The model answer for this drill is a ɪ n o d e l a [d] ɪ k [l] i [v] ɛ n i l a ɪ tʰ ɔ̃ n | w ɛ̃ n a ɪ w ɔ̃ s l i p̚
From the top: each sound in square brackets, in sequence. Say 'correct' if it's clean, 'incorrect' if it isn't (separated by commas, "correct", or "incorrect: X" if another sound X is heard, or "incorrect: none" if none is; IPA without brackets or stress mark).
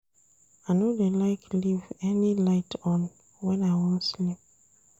incorrect: none, correct, correct